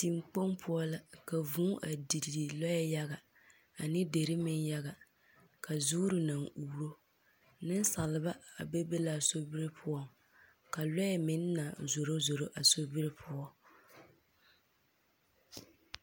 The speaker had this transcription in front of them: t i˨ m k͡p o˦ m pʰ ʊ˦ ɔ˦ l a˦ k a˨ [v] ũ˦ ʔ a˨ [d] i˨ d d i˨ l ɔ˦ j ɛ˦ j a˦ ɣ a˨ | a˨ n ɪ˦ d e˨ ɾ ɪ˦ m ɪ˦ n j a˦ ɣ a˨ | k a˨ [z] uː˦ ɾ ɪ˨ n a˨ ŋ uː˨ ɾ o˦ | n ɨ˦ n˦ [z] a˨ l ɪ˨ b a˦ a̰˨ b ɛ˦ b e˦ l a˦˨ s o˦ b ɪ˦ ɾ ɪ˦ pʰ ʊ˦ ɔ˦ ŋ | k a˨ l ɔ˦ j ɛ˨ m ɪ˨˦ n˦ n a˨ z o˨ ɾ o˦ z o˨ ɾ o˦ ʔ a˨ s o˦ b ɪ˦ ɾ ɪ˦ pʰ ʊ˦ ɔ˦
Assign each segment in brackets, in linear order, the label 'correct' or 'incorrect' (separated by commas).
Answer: correct, correct, correct, incorrect